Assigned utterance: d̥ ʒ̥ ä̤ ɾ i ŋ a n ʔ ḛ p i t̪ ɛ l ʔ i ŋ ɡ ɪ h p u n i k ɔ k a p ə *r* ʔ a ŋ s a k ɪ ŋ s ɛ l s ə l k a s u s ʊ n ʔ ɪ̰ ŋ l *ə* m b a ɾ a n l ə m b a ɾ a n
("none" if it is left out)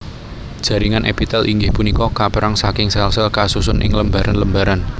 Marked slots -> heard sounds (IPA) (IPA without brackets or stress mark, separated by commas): ɾ, ə